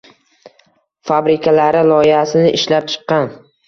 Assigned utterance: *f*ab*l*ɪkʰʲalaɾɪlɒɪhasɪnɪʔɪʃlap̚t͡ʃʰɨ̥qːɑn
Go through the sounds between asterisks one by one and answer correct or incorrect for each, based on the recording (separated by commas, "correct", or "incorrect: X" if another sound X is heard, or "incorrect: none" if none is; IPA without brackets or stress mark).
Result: correct, incorrect: ɾ